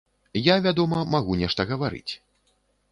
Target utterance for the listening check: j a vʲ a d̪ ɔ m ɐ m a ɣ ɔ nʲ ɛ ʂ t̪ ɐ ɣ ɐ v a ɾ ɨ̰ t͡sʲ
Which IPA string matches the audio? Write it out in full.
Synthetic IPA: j a vʲ a d̪ ɔ m ɐ m a ɣ u nʲ ɛ ʂ t̪ ɐ ɣ ɐ v a ɾ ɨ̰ t͡sʲ